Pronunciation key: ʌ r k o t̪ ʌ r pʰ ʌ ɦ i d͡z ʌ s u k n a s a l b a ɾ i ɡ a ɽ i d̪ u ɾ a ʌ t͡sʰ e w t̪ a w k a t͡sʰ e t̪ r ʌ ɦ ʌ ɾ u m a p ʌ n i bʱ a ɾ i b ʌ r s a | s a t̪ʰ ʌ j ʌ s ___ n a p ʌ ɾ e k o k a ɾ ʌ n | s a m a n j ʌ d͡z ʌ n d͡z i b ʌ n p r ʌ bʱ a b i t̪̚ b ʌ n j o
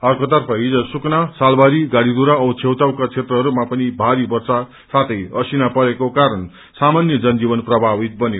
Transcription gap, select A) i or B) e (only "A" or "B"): A